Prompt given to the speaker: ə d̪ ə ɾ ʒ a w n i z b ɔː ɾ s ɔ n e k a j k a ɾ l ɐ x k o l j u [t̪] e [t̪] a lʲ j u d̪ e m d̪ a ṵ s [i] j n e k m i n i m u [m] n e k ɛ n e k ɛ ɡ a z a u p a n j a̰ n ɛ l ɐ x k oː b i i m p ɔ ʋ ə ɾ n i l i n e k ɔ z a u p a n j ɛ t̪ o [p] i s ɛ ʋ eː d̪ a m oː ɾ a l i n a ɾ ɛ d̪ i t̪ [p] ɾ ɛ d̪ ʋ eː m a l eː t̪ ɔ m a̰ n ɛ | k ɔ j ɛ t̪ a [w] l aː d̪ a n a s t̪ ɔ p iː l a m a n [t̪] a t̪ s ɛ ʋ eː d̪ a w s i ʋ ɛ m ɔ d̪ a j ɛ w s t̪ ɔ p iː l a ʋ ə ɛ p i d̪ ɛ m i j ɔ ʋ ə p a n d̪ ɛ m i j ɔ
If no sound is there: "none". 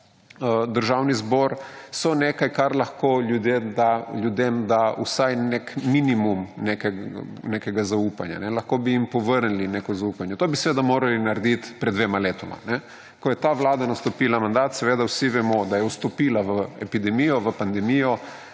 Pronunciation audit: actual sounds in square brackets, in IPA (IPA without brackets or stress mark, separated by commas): d̪, d̪, a, m, b, p, ʋ, d̪